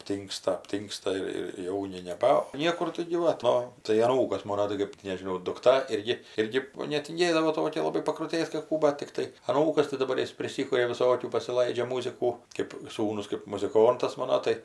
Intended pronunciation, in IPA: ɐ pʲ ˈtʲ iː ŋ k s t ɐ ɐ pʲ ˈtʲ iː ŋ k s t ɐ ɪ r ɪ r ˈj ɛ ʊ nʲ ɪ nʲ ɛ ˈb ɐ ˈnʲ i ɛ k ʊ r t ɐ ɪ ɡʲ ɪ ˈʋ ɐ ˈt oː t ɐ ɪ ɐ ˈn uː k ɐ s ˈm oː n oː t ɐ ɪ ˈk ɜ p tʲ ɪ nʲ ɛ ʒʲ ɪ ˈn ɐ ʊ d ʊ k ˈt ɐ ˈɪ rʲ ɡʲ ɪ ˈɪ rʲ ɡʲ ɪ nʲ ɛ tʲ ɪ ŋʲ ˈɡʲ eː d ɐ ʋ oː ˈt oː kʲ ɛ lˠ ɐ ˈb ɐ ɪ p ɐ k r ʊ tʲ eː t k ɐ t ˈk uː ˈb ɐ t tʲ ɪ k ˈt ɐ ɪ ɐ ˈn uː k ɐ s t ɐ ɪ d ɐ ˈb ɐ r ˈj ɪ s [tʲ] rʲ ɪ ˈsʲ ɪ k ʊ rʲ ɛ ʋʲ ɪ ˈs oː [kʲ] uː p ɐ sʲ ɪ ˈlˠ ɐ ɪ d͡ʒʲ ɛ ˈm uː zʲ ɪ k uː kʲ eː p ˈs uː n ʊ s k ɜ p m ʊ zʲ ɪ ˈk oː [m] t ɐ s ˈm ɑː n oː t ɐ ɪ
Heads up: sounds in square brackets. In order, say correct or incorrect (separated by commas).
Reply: incorrect, correct, incorrect